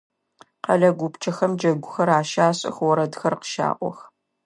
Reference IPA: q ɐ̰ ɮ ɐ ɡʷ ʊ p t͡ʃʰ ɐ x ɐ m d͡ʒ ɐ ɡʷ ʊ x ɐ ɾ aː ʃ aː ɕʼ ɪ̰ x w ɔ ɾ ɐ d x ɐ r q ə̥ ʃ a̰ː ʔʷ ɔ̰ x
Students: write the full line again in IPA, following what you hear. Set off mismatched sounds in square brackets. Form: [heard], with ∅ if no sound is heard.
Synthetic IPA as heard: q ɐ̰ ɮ ɐ ɡʷ ʊ p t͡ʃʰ ɐ x ɐ m d͡ʒ ɐ ɡʷ ʊ x ɐ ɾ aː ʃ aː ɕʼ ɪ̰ x w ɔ ɾ ɐ d x ɐ r q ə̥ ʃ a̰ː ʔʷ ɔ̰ x